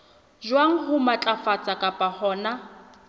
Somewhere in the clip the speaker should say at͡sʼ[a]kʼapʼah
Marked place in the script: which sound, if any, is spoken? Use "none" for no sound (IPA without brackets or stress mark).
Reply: a